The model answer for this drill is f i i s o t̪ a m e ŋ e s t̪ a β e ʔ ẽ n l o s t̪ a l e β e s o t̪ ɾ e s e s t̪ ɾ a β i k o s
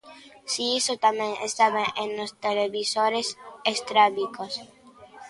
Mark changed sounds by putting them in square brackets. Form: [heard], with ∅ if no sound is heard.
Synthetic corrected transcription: [s] i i s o t̪ a m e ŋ e s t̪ a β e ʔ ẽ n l o s t̪ [e] l e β [i] s o [∅] ɾ e s e s t̪ ɾ a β i k o s